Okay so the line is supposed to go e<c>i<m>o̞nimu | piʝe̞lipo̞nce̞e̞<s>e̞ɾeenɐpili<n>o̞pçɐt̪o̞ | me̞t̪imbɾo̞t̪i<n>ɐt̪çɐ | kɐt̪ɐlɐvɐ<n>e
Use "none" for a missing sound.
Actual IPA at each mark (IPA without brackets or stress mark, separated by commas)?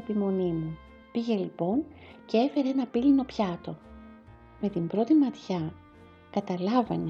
p, m, f, n, m, n